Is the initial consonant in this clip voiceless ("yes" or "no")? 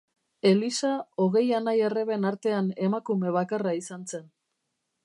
no